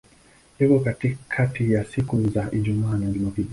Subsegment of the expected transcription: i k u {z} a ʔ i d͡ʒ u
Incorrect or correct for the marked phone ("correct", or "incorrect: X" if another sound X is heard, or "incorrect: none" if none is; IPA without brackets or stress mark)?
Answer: correct